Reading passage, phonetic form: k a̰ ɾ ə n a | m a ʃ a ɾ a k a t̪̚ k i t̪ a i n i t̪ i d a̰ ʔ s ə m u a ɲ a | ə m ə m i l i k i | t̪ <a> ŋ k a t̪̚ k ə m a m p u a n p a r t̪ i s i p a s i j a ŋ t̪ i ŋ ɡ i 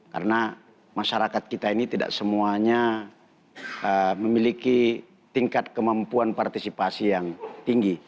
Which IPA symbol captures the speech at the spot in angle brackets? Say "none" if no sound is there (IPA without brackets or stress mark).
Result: i